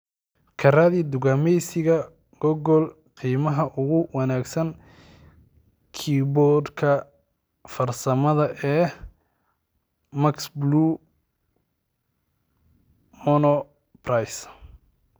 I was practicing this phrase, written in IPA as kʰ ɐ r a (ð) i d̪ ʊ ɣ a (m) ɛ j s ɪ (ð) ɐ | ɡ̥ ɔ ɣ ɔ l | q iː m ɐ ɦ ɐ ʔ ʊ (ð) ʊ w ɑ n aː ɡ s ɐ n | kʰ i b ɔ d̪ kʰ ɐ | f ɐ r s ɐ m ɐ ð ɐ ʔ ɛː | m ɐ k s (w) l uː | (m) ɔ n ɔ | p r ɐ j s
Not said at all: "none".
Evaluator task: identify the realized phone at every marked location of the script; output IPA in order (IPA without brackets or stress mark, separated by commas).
ð, m, ɣ, ɣ, b, m